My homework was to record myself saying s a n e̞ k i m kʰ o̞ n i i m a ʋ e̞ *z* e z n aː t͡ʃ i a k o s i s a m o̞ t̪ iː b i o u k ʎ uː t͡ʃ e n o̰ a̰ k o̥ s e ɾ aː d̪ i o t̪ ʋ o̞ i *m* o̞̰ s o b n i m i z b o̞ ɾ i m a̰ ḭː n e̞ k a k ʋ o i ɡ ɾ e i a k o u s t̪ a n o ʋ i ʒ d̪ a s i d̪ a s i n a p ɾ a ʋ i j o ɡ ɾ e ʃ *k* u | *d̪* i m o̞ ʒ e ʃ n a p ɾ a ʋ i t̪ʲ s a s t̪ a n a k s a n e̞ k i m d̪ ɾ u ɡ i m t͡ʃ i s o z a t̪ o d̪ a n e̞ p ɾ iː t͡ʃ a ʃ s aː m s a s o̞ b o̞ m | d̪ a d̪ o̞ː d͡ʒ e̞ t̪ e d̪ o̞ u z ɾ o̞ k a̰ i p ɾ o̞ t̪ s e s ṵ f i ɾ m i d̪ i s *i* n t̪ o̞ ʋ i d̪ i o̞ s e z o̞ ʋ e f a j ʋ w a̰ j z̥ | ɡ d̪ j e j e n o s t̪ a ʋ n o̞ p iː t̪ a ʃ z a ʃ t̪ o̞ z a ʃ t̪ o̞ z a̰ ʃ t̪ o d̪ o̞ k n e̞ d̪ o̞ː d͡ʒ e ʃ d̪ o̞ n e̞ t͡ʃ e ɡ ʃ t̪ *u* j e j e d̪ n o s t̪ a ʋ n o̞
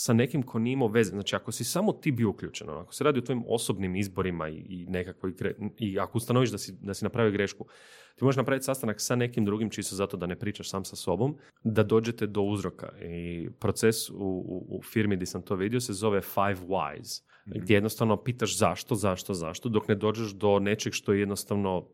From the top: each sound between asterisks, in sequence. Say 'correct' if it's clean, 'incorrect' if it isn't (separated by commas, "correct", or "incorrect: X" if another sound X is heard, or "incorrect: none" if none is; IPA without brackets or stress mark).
correct, correct, correct, incorrect: t̪, incorrect: a, incorrect: o